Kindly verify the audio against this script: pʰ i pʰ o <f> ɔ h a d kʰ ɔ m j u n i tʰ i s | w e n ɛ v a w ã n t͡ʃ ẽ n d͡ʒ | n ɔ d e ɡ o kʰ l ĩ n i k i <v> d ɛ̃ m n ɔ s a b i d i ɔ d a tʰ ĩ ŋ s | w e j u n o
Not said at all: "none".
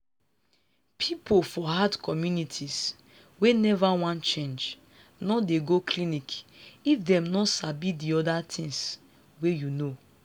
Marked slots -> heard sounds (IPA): f, f

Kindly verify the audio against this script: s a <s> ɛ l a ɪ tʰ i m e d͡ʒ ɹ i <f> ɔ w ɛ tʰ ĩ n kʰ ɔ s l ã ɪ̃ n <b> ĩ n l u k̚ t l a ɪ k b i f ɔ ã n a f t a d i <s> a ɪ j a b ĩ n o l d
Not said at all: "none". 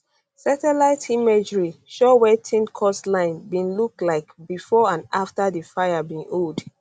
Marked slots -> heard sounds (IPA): t, ʃ, b, f

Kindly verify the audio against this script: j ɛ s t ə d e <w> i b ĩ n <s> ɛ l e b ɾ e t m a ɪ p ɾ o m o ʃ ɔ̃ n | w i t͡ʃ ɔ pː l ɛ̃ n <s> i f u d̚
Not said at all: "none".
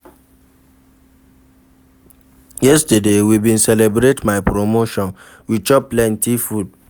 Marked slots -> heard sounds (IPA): w, s, t

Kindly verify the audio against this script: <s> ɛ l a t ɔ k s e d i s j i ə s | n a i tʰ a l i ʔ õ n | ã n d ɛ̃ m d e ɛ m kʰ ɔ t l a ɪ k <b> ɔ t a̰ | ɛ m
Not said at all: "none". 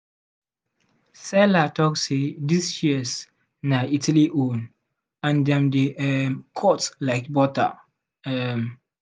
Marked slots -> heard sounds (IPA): s, b

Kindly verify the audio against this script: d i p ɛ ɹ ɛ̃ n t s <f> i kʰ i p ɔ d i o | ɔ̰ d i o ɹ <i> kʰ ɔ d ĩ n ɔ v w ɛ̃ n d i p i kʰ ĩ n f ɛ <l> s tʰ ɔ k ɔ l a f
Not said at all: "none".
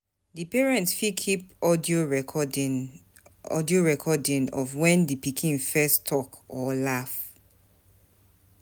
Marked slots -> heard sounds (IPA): f, ɛ, none

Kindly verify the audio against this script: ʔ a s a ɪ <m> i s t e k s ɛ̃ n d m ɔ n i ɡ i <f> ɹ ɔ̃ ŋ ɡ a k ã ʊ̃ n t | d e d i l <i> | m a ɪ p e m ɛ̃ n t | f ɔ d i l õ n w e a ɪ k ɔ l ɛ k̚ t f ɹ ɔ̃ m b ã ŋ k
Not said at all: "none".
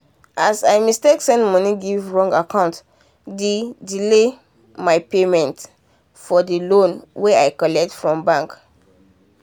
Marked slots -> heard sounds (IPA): m, v, e

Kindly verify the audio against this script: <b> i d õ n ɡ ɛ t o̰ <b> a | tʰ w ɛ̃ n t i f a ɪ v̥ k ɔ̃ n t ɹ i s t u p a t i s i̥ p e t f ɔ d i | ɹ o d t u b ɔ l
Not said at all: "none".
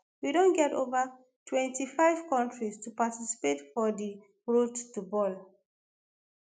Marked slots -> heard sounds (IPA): w, v

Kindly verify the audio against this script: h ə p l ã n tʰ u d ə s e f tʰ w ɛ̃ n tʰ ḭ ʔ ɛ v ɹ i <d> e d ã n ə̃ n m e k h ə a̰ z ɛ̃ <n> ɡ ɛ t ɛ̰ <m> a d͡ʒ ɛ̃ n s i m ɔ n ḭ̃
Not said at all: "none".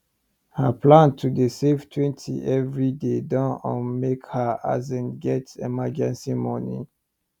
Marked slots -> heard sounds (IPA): d, n, m

